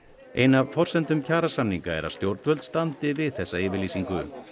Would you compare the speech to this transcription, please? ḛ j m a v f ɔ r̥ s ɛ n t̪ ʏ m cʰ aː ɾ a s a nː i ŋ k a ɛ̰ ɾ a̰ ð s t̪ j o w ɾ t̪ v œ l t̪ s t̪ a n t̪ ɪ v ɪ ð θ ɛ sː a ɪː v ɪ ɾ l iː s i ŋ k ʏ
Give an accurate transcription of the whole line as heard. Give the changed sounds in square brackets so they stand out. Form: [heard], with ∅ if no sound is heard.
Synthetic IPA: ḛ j [n] a v f ɔ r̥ s ɛ n t̪ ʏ m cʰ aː ɾ a s a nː i ŋ k a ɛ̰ ɾ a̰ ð s t̪ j o w ɾ t̪ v œ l t̪ s t̪ a n t̪ ɪ v ɪ ð θ ɛ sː a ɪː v ɪ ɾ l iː s i ŋ k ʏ